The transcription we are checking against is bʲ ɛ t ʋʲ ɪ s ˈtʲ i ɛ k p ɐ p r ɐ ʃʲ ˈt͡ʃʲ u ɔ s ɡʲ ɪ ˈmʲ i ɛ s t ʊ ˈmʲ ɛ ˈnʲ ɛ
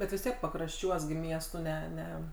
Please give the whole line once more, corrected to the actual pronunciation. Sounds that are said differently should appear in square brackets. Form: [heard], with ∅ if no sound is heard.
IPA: bʲ ɛ t ʋʲ ɪ s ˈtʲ i ɛ k p ɐ [k] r ɐ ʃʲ ˈt͡ʃʲ u ɔ s ɡʲ ɪ ˈmʲ i ɛ s t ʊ [ˈnʲ] ɛ ˈnʲ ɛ